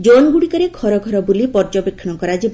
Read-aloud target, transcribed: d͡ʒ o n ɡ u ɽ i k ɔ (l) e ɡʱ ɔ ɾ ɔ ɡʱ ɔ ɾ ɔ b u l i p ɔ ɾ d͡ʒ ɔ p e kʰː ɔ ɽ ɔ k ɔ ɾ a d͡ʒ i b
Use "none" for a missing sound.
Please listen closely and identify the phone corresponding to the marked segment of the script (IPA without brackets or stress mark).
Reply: ɾ